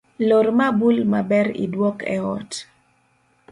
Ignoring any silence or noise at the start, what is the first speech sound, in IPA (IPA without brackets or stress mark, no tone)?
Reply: l